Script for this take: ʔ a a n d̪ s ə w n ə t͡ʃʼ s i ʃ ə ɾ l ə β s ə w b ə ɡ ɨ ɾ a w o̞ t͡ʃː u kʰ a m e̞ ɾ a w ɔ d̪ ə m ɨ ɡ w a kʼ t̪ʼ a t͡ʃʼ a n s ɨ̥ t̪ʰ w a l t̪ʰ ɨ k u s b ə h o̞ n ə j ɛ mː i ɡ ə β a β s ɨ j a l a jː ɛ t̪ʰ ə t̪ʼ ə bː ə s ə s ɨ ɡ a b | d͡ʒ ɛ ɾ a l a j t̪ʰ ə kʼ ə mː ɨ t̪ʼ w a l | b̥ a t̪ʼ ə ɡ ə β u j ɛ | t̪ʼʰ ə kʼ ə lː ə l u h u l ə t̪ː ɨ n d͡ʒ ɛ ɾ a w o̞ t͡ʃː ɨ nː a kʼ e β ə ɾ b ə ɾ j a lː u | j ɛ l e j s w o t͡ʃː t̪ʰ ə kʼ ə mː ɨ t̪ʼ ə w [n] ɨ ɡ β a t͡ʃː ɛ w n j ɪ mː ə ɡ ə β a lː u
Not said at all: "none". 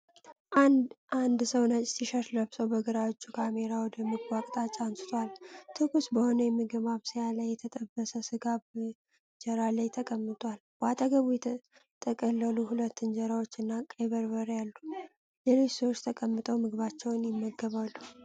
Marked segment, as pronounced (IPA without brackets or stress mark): m